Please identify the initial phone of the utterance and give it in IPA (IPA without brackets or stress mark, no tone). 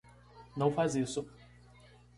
n